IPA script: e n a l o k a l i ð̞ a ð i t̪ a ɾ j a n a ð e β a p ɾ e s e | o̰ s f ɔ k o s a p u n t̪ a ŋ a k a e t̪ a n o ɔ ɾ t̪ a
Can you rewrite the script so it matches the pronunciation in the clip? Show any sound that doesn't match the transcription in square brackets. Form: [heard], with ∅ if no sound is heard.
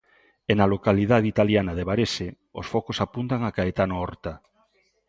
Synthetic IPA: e n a l o k a l i ð̞ a ð i t̪ a [l] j a n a ð e β a [∅] ɾ e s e | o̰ s f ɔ k o s a p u n t̪ a ŋ a k a e t̪ a n o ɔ ɾ t̪ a

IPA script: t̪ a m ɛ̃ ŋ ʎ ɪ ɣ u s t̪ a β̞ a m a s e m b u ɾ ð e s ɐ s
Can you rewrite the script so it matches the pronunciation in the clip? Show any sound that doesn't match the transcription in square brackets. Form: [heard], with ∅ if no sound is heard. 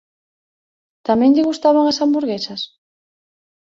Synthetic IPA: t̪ a m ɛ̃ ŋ ʎ ɪ ɣ u s t̪ a β̞ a [ŋ] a s [a] m b u ɾ [ɣ] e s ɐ s

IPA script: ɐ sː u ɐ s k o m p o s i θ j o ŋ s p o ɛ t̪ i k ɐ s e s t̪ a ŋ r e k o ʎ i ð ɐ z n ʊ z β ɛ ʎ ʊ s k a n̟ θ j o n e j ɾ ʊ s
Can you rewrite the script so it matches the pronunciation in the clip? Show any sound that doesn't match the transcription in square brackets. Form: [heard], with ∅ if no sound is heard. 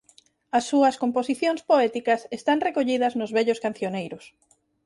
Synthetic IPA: ɐ sː u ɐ s k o m p o s i θ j o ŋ s p o ɛ t̪ i k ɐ s e s t̪ a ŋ r e k o ʎ i ð ɐ z n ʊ z β ɛ ʎ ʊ s k a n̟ θ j o n e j ɾ ʊ s

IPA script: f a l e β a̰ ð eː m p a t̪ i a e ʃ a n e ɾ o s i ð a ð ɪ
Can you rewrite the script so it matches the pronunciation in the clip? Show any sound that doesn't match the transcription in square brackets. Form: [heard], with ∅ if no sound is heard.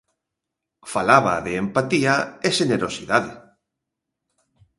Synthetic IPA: f a l [a] β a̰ ð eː m p a t̪ i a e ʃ [e] n e ɾ o s i ð a ð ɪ

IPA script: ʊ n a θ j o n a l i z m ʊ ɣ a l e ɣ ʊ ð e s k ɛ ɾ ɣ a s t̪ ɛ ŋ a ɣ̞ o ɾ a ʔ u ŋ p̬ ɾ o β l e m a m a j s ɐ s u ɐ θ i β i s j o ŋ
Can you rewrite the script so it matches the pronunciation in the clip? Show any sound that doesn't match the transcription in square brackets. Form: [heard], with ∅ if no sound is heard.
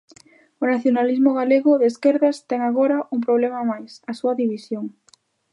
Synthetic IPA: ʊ n a θ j o n a l i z m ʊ ɣ a l e ɣ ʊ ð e s k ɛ ɾ [ð] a s t̪ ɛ ŋ a ɣ̞ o ɾ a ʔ u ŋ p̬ ɾ o β l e m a m a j s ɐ s u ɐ [ð] i β i s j o ŋ

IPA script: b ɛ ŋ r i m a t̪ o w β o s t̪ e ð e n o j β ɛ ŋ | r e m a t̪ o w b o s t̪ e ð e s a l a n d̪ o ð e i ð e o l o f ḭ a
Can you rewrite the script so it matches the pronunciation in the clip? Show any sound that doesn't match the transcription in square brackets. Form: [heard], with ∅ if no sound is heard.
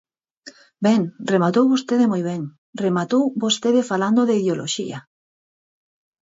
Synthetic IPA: b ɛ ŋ r [e] m a t̪ o w β o s t̪ e ð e [m] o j β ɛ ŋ | r e m a t̪ o w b o s t̪ e ð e [f] a l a n d̪ o ð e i ð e o l o [ʃ] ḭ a

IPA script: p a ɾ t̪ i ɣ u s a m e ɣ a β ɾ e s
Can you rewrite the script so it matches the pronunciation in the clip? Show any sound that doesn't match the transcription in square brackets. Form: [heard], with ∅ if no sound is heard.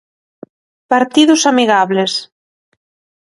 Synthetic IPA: p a ɾ t̪ i [ð] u s a m [i] ɣ a β [l] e s

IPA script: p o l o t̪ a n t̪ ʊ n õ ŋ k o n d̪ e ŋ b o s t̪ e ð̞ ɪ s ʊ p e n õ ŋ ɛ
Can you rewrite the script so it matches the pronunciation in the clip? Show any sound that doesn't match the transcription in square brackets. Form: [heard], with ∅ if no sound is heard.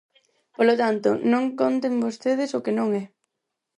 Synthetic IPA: p o l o t̪ a n t̪ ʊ n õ ŋ k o n [t̪] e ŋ b o s t̪ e ð̞ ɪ s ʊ [k] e n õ ŋ ɛ

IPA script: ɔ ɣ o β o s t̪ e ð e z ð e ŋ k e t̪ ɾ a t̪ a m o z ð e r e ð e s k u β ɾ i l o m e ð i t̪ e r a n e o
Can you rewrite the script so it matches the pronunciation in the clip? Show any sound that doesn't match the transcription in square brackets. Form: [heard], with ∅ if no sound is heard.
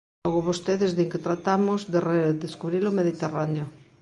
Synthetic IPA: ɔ ɣ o β o s t̪ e ð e z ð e ŋ k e t̪ ɾ a t̪ a m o z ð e r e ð e s k u β ɾ i l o m e ð i t̪ e r a n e o

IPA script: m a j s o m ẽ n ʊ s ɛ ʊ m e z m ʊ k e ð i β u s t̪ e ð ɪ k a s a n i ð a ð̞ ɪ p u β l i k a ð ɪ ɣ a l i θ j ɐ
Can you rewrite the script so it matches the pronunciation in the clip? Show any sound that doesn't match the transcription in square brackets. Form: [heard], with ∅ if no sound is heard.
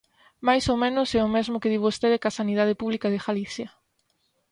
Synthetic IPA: m a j s o m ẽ n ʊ s ɛ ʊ m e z m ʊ k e ð i β [o] s t̪ e ð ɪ k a s a n i ð a ð̞ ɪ p u β l i k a ð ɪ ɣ a l i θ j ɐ

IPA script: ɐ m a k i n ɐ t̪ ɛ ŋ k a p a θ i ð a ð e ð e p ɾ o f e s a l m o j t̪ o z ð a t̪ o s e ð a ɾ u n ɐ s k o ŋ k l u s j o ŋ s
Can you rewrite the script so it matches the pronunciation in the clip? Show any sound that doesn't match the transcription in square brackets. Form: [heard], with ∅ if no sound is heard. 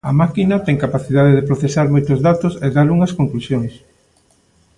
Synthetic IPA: ɐ m a k i n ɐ t̪ ɛ ŋ k a p a θ i ð a ð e ð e p ɾ o [θ] e s a [ɾ] m o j t̪ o z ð a t̪ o s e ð a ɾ u [ŋ] ɐ s k o ŋ k l u s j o ŋ s

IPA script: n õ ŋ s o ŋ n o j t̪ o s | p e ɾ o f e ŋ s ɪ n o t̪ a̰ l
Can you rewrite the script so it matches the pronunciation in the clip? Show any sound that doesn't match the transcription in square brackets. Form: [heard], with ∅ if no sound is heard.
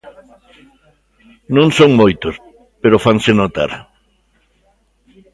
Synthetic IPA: n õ ŋ s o ŋ [m] o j t̪ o s | p e ɾ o f [a] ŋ s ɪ n o t̪ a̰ [ɾ]

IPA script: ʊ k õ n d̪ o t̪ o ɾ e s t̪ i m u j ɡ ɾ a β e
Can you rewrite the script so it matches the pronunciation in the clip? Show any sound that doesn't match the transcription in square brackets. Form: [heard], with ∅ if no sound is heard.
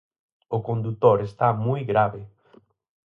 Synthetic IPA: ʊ k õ n d̪ [u] t̪ o ɾ e s t̪ [a] m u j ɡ ɾ a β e

